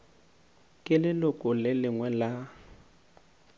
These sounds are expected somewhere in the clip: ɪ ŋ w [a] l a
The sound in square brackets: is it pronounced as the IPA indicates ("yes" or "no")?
no